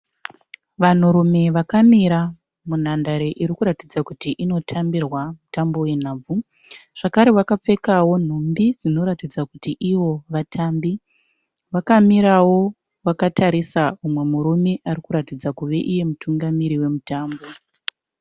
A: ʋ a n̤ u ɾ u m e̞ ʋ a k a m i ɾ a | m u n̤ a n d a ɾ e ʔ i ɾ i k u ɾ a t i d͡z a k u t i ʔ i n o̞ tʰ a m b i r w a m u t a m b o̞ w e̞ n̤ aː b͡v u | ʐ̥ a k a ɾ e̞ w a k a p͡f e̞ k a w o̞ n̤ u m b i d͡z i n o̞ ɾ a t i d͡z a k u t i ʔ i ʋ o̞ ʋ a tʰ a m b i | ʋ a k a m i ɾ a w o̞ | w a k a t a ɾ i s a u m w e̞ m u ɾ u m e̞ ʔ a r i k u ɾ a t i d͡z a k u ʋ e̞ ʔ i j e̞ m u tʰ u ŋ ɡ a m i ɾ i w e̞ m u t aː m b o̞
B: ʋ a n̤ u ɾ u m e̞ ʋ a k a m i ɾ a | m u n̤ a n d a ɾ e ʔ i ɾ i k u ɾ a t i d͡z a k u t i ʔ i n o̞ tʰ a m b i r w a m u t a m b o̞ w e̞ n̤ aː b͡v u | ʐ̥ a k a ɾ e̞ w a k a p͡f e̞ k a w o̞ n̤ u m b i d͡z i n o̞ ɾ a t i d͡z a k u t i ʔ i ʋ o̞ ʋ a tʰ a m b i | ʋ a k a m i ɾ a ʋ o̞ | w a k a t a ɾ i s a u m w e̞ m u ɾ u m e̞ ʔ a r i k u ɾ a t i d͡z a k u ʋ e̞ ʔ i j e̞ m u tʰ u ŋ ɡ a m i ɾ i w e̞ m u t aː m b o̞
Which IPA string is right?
A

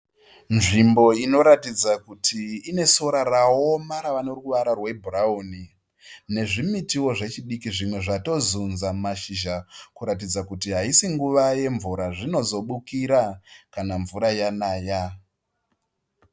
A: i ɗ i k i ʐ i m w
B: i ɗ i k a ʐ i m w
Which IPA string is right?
A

